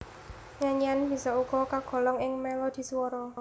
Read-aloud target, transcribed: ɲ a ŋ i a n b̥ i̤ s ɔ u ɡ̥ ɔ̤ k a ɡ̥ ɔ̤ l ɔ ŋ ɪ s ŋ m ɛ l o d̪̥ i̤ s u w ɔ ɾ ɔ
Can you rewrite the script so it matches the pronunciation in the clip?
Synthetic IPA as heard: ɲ a ɲ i a n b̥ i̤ s ɔ u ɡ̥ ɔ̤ k a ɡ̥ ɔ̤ l ɔ ŋ ɪ ŋ m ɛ l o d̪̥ i̤ s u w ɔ ɾ ɔ